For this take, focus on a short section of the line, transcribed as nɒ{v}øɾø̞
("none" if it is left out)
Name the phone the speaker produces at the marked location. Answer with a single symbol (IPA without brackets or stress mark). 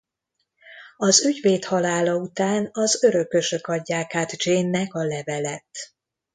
z